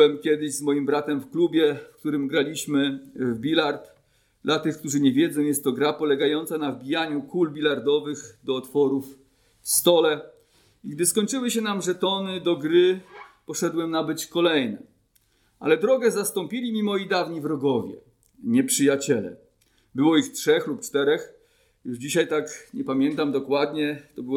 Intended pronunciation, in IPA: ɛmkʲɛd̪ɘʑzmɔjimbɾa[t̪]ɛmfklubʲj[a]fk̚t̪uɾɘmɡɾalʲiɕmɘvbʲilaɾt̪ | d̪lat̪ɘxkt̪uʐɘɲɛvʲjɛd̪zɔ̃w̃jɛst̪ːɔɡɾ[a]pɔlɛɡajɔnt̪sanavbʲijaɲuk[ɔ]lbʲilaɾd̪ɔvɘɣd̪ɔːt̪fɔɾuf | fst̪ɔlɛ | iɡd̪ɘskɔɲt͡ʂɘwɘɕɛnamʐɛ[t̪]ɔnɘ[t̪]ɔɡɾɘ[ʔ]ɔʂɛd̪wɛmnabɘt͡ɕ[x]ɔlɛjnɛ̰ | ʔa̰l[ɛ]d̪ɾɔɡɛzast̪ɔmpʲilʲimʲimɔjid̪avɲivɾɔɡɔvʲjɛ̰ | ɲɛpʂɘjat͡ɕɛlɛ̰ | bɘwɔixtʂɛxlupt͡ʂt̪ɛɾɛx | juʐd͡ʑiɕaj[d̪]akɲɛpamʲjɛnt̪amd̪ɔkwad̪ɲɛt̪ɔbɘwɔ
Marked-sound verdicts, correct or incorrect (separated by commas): correct, incorrect, correct, incorrect, correct, incorrect, incorrect, incorrect, correct, incorrect